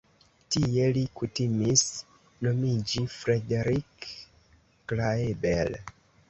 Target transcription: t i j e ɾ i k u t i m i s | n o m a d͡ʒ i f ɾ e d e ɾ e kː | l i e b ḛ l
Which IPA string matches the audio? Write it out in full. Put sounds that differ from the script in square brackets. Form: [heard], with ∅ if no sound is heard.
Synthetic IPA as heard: t i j e [l] i k u t i m i s | n o m [i] d͡ʒ i f ɾ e d e ɾ [i] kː | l [a] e b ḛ l